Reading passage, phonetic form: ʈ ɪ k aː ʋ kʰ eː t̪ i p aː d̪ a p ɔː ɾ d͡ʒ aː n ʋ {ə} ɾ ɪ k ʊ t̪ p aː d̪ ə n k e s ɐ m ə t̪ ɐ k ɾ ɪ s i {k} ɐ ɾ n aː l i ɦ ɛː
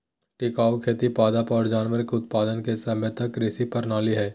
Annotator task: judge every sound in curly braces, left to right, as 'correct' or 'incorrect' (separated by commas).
correct, incorrect